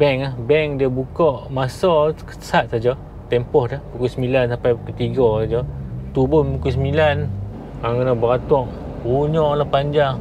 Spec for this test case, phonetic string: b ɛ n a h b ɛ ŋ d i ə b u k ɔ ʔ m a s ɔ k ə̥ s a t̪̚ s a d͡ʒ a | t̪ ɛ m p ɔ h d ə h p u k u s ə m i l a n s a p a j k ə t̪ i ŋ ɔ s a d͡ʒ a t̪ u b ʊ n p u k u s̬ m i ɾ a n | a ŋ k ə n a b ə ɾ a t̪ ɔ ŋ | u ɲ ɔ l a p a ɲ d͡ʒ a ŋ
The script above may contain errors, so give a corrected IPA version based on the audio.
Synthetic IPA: b ɛ ŋ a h b ɛ ŋ d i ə b u k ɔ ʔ m a s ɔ k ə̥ s a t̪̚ s a d͡ʒ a | t̪ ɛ m p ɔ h d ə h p u k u s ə m i l a n s a p a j k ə t̪ i ɡ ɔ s a d͡ʒ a t̪ u b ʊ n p u k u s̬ m i l a n | a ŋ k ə n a b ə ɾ a t̪ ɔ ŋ | u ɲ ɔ l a p a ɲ d͡ʒ a ŋ